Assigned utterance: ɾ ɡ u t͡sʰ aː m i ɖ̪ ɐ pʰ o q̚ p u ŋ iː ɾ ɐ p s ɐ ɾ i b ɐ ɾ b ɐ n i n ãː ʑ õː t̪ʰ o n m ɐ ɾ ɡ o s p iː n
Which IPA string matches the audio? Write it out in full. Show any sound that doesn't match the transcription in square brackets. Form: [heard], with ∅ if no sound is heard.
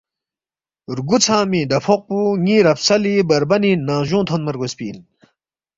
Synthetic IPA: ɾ ɡ u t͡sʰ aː m i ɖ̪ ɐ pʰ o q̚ p u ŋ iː ɾ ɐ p s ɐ [l] i b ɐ ɾ b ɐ n i n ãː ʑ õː t̪ʰ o n m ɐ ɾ ɡ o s p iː n